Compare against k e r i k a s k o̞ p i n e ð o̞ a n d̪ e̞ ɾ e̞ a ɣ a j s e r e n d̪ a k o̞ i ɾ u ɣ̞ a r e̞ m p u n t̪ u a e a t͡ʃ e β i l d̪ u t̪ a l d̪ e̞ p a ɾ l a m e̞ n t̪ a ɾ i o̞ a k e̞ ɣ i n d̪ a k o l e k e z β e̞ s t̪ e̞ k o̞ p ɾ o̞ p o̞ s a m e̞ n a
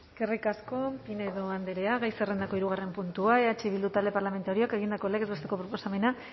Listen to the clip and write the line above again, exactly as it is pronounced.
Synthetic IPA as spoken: k e r i k a s k o̞ p i n e ð o̞ a n d̪ e̞ ɾ e̞ a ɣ a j s e r e n d̪ a k o̞ i ɾ u ɣ̞ a r e̞ m p u n t̪ u a e a t͡ʃ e β i l d̪ u t̪ a l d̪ e̞ p a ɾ l a m e̞ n t̪ a ɾ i o̞ a k e̞ ɣ i n d̪ a k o l e k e z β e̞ s t̪ e̞ k o̞ p ɾ o̞ p o̞ s a m e̞ n a